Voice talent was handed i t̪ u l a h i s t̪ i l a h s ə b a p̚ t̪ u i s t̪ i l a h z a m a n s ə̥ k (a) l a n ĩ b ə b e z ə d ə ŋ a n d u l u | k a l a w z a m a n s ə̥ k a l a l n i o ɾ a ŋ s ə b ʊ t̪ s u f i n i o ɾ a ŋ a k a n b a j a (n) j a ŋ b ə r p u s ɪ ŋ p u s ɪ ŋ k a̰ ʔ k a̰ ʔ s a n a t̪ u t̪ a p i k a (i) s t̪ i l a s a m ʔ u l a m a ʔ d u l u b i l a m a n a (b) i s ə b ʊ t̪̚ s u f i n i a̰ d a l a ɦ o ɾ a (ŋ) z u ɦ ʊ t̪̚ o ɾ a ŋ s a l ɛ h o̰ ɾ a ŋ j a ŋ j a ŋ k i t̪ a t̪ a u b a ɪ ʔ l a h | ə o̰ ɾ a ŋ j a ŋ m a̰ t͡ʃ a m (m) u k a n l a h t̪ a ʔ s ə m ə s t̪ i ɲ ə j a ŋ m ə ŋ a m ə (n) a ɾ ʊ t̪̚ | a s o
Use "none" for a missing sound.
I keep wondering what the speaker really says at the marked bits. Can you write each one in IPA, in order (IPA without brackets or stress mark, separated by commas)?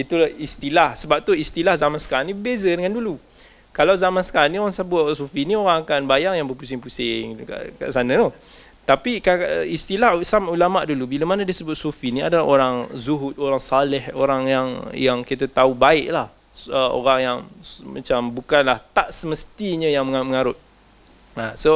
a, ŋ, i, d, ŋ, b, ŋ